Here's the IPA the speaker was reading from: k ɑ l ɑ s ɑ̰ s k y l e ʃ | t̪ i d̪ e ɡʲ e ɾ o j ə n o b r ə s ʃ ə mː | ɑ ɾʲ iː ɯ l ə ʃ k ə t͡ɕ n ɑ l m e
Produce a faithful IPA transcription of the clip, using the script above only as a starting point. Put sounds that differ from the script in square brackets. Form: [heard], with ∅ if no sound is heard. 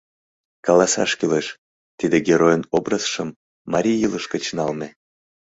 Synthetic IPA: k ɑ l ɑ s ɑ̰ [ʃ] k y l e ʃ | t̪ i d̪ e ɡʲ e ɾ o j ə n o b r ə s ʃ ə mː | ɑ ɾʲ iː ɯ l ə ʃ k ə t͡ɕ n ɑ l m e